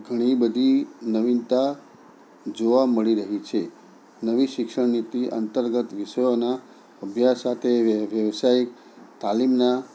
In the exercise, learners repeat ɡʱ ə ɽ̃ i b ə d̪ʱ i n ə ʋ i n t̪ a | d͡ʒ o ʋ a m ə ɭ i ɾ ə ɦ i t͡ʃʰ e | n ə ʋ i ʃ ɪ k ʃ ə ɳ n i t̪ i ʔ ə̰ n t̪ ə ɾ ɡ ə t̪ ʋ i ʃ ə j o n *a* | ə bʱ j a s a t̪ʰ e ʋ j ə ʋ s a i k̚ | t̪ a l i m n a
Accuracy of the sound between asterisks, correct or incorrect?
correct